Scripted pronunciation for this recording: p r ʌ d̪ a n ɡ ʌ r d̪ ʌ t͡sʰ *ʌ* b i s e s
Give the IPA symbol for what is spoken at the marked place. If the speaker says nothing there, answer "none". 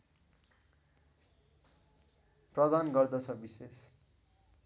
ʌ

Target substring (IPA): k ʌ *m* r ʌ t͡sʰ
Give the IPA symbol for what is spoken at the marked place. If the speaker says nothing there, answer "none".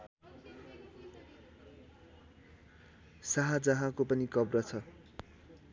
b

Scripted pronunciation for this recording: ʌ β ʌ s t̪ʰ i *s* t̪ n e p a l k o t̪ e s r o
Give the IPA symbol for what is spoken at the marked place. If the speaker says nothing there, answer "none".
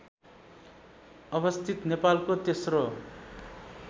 none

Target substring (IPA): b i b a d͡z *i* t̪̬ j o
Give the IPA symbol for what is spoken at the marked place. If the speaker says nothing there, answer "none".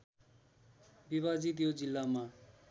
i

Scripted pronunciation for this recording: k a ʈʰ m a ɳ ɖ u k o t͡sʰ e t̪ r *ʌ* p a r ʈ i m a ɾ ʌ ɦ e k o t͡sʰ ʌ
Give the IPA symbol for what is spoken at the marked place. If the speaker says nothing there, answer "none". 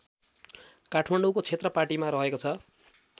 ʌ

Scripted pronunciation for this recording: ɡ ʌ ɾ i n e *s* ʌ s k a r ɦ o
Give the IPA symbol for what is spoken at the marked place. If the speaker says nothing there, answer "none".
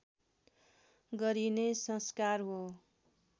s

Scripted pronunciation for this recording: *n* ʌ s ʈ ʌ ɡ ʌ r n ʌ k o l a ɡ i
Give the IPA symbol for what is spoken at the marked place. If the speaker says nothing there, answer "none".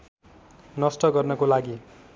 n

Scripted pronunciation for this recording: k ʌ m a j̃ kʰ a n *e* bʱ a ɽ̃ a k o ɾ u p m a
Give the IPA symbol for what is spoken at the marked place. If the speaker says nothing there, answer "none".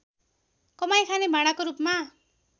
e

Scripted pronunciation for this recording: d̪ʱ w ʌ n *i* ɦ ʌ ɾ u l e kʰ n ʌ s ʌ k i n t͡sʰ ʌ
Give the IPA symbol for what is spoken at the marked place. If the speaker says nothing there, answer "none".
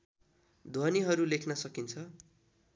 i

